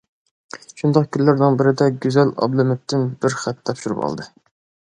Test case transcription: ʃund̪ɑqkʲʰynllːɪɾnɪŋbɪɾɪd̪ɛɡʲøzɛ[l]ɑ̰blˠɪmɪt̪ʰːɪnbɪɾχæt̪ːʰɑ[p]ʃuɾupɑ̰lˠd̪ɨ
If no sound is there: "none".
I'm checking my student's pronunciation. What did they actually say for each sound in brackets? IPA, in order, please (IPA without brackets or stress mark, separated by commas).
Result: l, p